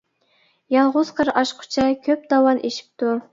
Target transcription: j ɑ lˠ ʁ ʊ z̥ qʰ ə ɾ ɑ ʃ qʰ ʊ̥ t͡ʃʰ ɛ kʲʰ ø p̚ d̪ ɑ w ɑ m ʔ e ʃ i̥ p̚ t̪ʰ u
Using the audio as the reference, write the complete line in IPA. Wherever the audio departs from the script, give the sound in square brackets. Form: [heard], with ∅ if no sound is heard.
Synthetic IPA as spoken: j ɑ lˠ ʁ ʊ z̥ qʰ ə ɾ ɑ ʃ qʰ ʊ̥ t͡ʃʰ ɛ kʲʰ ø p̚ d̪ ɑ w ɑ [n] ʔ e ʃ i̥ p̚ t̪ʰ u